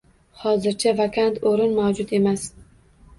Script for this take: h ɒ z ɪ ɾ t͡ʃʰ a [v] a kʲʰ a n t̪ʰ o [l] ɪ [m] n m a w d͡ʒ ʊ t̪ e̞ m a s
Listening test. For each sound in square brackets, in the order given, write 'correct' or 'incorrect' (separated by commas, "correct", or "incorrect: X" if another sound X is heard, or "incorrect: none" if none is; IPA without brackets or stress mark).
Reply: correct, incorrect: ɾ, incorrect: none